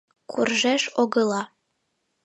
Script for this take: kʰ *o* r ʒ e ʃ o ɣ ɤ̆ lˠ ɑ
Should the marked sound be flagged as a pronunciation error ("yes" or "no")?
yes